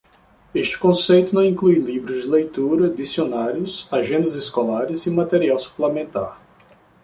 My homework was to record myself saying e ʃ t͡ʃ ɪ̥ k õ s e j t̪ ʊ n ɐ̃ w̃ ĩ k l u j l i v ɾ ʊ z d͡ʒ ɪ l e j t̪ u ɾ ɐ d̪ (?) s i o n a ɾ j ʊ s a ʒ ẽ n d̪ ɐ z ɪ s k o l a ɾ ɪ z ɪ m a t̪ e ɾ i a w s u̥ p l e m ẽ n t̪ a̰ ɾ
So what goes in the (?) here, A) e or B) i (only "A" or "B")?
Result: B